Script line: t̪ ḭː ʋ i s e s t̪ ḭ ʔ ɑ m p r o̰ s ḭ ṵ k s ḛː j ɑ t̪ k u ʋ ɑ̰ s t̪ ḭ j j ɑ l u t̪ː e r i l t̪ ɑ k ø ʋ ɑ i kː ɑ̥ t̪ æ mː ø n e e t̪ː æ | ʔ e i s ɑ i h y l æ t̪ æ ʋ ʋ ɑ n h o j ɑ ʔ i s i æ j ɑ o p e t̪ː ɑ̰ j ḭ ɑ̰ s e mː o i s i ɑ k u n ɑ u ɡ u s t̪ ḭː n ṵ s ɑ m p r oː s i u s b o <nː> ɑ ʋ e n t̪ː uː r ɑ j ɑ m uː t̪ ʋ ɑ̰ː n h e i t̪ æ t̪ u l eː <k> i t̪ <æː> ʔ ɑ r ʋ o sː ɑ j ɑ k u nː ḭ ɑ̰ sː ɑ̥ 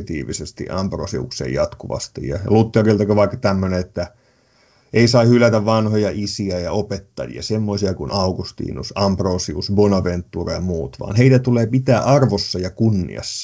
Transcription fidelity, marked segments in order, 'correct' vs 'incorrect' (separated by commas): incorrect, incorrect, correct